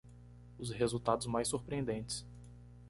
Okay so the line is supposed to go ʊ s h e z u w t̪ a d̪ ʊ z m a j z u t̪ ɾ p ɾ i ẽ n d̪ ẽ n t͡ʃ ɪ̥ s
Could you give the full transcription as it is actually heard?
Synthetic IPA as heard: ʊ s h e z u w t̪ a d̪ ʊ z m a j s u ɾ p ɾ i ẽ n d̪ ẽ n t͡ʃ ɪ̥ s